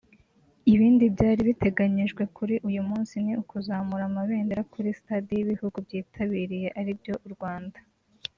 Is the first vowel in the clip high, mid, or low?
high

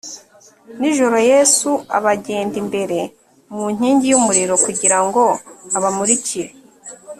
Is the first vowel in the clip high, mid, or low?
high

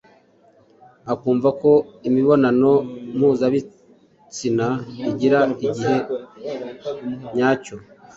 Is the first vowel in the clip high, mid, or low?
low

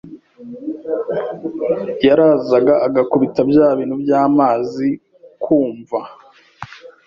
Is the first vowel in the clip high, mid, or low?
low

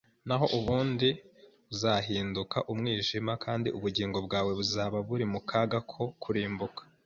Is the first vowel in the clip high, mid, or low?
low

